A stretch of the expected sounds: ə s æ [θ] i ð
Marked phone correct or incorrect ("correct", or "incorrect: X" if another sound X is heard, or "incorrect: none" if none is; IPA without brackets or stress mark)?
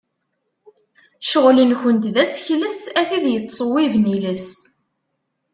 correct